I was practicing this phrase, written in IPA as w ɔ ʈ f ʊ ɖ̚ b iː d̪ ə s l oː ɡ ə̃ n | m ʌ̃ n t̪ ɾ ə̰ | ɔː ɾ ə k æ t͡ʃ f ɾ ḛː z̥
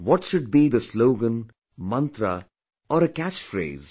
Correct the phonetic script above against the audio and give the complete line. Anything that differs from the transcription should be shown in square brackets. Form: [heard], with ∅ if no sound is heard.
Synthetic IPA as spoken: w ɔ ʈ [ʃ] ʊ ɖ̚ b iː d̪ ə s l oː ɡ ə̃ n | m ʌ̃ n t̪ ɾ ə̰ | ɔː ɾ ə k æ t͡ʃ f ɾ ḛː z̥

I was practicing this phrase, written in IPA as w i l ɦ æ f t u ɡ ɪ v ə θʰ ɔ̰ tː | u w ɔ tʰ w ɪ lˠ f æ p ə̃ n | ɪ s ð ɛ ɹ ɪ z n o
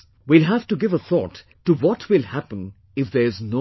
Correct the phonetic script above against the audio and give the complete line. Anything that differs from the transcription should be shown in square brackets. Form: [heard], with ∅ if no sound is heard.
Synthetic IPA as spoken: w i l ɦ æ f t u ɡ ɪ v ə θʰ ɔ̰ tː | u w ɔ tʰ w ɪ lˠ [h] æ p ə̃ n | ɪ [f] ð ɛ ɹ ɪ z n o

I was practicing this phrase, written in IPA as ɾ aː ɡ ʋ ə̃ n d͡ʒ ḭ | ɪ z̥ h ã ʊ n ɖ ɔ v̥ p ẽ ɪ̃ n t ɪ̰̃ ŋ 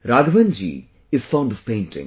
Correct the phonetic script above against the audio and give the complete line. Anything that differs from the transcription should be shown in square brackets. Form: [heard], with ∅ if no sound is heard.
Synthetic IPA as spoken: ɾ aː ɡ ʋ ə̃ n d͡ʒ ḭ | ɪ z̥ [f] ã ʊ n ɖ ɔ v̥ p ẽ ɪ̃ n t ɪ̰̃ ŋ

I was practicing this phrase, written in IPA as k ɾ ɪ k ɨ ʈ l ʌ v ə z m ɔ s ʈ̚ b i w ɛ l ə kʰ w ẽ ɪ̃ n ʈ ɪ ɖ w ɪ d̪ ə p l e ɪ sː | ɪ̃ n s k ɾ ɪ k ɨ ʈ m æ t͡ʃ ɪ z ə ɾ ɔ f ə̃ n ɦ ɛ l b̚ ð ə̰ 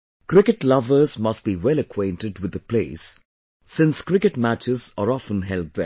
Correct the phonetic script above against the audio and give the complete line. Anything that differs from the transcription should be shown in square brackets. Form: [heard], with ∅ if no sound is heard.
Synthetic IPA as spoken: k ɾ ɪ k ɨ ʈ l ʌ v ə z m [ʌ] s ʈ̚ b i w ɛ l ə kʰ w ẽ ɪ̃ n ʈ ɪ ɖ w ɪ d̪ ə p l e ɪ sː | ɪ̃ n s k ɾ ɪ k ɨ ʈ m æ t͡ʃ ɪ z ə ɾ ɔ f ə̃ n ɦ ɛ l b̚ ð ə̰

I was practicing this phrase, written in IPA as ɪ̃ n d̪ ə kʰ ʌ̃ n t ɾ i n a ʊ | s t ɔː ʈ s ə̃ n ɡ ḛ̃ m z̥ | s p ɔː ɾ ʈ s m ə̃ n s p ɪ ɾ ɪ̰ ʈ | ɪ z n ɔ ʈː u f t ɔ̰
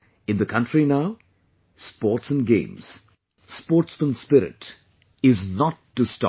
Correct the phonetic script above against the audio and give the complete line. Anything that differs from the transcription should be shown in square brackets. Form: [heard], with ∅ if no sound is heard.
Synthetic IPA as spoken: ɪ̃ n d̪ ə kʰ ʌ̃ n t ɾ i n a ʊ | s [p] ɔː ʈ s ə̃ n ɡ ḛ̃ m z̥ | s p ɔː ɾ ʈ s m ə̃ n s p ɪ ɾ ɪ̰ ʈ | ɪ z n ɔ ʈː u [s] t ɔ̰

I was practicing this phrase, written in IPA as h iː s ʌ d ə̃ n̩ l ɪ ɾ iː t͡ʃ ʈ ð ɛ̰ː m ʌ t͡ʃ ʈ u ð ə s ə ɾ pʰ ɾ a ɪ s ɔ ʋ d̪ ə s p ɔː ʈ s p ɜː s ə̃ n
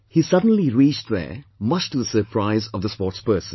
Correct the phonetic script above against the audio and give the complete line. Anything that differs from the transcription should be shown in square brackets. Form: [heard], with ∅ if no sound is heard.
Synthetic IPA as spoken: h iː s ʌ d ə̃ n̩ l [i] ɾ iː t͡ʃ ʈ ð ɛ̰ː m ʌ t͡ʃ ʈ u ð ə s ə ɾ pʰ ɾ a ɪ [z] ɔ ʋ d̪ ə s p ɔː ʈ s p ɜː s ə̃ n

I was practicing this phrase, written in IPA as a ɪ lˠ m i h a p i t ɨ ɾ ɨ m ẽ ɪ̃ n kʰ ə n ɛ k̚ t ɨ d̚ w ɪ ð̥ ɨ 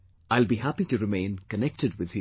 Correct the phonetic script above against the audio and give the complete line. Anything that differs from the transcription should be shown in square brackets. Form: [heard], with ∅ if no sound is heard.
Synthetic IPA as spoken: a ɪ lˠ [b] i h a p i t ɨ [ɹ] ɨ m ẽ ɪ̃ n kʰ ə n ɛ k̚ t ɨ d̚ w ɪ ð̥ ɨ

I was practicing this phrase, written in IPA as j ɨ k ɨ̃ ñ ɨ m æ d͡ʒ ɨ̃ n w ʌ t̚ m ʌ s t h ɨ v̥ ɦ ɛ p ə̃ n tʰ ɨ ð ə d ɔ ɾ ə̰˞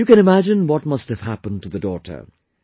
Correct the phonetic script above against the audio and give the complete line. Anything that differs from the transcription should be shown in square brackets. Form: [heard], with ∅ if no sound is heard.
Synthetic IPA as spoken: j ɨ k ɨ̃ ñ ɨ m æ d͡ʒ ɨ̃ n w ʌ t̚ m ʌ s t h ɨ v̥ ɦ [æ] p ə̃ n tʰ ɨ ð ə d ɔ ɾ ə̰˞

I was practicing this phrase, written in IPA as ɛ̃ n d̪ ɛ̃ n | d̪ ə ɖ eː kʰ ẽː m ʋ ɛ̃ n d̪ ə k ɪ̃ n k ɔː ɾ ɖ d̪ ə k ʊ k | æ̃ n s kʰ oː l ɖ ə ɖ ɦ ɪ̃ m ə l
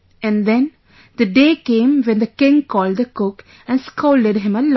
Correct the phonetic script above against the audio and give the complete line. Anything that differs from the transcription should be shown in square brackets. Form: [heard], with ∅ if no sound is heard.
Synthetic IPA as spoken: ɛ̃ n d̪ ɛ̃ n | d̪ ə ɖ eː [k] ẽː m ʋ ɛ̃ n d̪ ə k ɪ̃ [ŋ] k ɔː [l] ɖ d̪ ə k ʊ k | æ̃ n s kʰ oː l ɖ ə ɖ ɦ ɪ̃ m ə l

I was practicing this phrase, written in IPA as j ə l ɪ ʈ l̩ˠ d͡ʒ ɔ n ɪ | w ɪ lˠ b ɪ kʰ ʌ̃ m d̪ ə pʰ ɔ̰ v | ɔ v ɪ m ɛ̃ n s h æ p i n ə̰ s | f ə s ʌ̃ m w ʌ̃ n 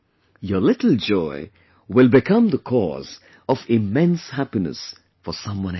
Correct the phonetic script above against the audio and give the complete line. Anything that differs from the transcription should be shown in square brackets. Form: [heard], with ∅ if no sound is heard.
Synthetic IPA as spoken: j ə l ɪ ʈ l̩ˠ d͡ʒ ɔ [∅] ɪ | w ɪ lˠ b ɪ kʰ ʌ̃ m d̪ ə [kʰ] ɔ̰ [z] | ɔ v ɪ m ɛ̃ n s h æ p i n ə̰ s | f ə s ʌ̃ m w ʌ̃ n

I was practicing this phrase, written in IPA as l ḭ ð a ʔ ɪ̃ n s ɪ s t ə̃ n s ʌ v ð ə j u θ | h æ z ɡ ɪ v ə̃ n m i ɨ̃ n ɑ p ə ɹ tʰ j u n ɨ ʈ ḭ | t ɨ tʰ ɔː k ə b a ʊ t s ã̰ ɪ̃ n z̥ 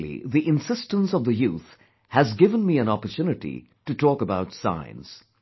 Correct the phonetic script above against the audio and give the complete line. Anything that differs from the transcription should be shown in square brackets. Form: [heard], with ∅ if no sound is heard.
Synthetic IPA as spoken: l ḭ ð [i] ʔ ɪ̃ n s ɪ s t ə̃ n s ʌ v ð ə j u θ | h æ z ɡ ɪ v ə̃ n m i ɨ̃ n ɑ p ə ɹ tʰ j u n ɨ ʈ ḭ | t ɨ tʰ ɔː k ə b a ʊ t s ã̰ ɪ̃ n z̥

